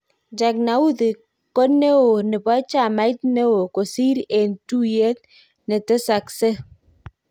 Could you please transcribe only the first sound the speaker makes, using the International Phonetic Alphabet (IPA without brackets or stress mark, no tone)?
d͡ʒ